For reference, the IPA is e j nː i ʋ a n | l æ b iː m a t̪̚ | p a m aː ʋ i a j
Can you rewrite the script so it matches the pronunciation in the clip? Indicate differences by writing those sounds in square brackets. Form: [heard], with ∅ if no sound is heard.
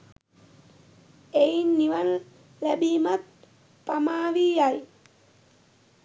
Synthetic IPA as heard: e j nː i ʋ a n | l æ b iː m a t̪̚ | p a m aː ʋ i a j